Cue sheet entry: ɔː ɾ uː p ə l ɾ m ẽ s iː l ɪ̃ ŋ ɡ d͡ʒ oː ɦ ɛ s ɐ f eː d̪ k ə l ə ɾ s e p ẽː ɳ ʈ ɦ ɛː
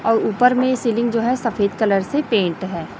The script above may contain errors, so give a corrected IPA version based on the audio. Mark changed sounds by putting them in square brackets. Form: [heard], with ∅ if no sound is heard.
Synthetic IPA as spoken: ɔː ɾ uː p ə [∅] ɾ m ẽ s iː l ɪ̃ ŋ ɡ d͡ʒ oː ɦ ɛ s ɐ f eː d̪ k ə l ə ɾ s e p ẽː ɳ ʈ ɦ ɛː